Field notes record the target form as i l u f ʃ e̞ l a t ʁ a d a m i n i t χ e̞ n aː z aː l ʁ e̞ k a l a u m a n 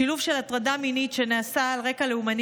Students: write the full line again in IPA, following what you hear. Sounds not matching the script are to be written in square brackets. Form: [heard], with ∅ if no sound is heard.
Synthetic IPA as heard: i l u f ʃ e̞ l a t ʁ a d a m i n i t [ʃ] e̞ n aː [s] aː l ʁ e̞ k a l [e] u m a n

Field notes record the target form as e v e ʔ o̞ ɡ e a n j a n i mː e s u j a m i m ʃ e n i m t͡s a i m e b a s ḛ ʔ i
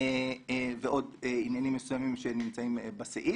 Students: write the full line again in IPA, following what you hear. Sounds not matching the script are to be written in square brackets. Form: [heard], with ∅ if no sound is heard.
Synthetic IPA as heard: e v e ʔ o̞ [d] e [i] n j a n i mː e s u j a m i m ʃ e n i m t͡s a i m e b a s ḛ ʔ i

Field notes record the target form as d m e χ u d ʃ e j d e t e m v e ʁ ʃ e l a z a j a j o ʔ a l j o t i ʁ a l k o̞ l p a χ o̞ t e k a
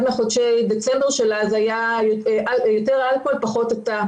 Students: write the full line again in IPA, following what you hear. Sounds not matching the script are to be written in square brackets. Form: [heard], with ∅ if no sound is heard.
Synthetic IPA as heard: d m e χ [o] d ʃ e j d e [t͡s] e m [b] e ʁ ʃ e l a z a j a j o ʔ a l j o t [e] ʁ a l k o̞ l p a χ o̞ t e [t] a

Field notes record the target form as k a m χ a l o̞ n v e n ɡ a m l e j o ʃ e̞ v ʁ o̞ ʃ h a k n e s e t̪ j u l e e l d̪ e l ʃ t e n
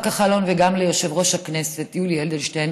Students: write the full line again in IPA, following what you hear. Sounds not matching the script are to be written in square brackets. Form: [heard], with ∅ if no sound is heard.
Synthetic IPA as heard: k a [∅] χ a l o̞ n v e [∅] ɡ a m l e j o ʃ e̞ v ʁ o̞ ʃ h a k n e s e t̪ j u l [i] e l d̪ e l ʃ t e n

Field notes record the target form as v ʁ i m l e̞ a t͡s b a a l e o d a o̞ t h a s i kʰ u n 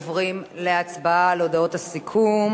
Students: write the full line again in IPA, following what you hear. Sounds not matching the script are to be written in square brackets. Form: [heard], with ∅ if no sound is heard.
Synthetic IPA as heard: v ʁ i m l e̞ a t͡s b a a l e o d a o̞ t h a s i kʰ u [m]

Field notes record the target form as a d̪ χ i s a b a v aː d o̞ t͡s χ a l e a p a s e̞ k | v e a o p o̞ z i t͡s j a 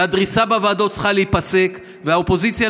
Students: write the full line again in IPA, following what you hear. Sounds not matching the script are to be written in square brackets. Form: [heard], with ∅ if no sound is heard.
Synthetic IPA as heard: a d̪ [ʁ] i s a b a v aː d o̞ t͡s χ a l e [i] p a s e̞ k | v e a o p o̞ z i t͡s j a

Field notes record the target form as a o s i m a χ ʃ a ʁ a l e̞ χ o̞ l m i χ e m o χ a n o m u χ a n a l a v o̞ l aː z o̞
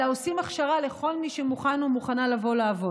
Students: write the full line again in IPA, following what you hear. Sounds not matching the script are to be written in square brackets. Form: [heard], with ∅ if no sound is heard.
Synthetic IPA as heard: a o s i m a χ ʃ a ʁ a l e̞ χ o̞ l m i [ʃ] e m [u] χ a n o m u χ a n a l a v o̞ l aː [v] o̞

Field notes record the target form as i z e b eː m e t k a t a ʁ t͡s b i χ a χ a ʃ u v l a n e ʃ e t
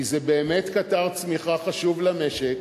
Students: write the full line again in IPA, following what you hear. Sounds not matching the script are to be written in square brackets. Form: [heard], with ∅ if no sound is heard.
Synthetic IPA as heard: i z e b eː m e t k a t a ʁ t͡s [m] i χ a χ a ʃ u v l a [m] e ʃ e [k]

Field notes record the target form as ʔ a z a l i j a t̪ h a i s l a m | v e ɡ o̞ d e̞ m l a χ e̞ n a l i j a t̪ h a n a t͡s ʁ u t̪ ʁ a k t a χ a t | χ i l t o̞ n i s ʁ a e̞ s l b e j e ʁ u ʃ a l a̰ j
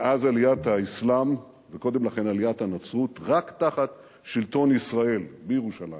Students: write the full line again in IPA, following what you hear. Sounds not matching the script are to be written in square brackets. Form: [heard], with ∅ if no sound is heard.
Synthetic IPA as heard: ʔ a z a l i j a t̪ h a i s l a m | v e [k] o̞ d e̞ m l a χ e̞ n a l i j a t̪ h a n a t͡s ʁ u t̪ ʁ a k t a χ a t | [ʃ] i l t o̞ n i s ʁ a e̞ [∅] l b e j e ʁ u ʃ a l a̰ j

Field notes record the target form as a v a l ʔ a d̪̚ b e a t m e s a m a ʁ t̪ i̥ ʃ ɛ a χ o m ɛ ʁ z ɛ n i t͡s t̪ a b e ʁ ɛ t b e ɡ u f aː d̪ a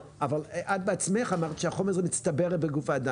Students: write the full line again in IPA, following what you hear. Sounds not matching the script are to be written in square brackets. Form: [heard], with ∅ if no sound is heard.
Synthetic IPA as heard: a v a l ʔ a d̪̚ b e a [t͡s] m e [χ] a m a ʁ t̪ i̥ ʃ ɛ a χ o m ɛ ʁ z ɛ [m] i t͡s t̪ a b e ʁ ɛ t b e ɡ u f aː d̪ a

